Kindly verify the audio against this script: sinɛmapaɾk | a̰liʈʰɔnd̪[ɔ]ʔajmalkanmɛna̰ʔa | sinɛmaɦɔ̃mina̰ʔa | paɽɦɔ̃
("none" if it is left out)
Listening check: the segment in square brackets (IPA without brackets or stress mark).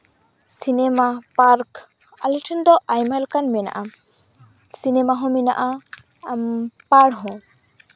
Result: ɔ